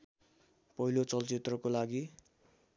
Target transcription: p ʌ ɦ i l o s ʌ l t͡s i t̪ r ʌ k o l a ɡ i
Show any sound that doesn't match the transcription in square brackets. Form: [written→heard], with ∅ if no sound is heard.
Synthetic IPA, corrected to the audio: p ʌ ɦ i l o [s→t͡s] ʌ l t͡s i t̪ r ʌ k o l a ɡ i

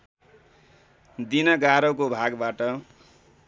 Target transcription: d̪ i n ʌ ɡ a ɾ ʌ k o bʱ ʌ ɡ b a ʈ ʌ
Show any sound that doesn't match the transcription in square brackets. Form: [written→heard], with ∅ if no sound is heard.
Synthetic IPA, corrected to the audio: d̪ i n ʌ ɡ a ɾ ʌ k o bʱ [ʌ→a] ɡ b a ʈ ʌ

